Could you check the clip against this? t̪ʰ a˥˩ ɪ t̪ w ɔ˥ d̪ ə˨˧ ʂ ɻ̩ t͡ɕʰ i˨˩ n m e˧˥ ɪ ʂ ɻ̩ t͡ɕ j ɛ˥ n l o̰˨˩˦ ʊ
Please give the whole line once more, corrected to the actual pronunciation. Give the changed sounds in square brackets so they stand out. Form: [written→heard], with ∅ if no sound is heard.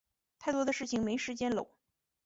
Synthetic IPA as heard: t̪ʰ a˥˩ ɪ t̪ w ɔ˥ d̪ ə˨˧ ʂ ɻ̩ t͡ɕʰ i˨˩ [n→ŋ] m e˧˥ ɪ ʂ ɻ̩ t͡ɕ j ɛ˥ n l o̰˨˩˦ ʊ